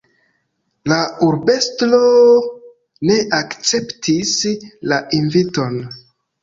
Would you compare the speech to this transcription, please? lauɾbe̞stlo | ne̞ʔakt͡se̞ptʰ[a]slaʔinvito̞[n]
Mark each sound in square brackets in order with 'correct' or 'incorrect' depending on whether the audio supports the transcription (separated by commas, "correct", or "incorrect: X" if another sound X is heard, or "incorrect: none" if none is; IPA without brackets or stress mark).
incorrect: i, correct